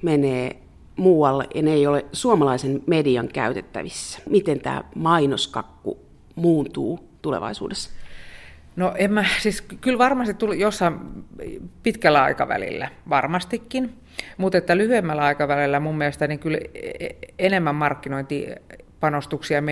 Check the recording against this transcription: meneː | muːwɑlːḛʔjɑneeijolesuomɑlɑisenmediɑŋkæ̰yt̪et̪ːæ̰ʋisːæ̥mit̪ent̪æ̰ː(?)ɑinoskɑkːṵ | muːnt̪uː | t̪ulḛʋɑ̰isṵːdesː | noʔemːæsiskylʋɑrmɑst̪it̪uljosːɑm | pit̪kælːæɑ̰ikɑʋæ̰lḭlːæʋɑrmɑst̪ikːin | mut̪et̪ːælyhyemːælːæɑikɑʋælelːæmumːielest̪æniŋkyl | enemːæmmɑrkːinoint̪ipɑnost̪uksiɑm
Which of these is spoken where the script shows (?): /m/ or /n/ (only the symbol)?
m